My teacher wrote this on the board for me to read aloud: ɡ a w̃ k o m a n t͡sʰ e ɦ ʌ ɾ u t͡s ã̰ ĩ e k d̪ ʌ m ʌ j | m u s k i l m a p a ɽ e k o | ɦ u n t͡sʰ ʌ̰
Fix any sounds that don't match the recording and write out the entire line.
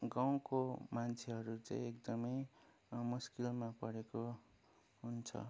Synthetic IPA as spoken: ɡ a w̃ k o m a n t͡sʰ e ɦ ʌ ɾ u t͡s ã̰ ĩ e k d̪ ʌ m ʌ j | m u s k i l m a p ʌ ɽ e k o | ɦ u n t͡sʰ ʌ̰